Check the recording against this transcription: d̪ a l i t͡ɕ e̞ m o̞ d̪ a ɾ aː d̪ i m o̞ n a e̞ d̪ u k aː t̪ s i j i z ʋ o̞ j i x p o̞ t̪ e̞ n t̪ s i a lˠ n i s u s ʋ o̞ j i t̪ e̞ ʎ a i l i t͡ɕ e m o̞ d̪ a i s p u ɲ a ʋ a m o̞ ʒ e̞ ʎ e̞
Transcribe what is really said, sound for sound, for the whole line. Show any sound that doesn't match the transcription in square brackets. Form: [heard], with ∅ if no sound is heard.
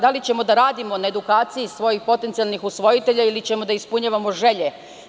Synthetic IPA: d̪ a l i t͡ɕ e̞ m o̞ d̪ a ɾ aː d̪ i m o̞ n a e̞ d̪ u k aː t̪ s i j i [s] ʋ o̞ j i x p o̞ t̪ e̞ n t̪ s i a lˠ n i [x] u s ʋ o̞ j i t̪ e̞ ʎ a i l i t͡ɕ e m o̞ d̪ a i s p u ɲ a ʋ a m o̞ ʒ e̞ ʎ e̞